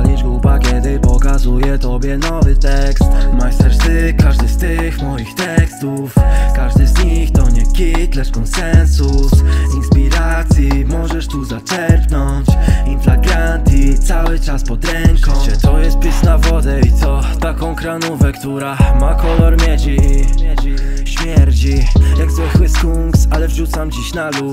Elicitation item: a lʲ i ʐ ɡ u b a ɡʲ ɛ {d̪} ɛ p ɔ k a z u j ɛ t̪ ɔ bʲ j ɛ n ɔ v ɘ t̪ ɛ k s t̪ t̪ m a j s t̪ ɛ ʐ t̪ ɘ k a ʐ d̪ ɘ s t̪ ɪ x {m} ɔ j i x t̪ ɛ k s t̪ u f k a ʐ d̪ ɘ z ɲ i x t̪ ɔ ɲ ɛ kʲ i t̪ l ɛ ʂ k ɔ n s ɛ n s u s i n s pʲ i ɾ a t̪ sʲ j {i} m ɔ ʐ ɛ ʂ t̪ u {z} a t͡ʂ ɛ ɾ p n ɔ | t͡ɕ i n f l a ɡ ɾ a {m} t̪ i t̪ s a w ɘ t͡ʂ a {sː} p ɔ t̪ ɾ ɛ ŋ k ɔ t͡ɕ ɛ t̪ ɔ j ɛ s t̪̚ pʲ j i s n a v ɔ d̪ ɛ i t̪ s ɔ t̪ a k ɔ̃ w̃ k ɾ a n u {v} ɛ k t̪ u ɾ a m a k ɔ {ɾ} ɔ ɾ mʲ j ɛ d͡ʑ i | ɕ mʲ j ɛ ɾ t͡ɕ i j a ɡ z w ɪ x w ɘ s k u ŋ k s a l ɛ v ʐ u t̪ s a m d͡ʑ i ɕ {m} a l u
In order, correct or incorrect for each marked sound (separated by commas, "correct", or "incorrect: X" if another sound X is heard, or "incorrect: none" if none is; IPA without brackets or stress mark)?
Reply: correct, correct, correct, correct, incorrect: n, incorrect: s, correct, incorrect: l, incorrect: n